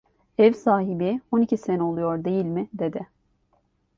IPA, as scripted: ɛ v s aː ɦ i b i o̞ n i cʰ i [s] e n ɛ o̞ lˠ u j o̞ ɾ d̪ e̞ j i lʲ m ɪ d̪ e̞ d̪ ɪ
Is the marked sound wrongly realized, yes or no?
no